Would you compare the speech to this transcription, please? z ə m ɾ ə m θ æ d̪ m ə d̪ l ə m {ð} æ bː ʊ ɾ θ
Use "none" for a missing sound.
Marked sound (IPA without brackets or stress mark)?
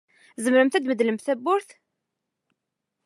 θ